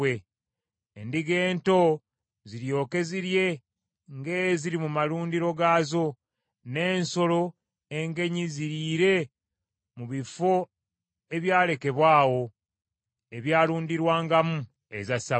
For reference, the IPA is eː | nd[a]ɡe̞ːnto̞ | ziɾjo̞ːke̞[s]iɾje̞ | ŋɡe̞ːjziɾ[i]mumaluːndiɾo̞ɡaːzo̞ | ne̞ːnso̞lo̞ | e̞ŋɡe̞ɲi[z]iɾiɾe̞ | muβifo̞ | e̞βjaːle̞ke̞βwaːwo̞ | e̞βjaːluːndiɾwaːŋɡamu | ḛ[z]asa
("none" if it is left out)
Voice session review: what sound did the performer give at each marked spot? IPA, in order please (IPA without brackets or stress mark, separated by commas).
i, z, i, z, z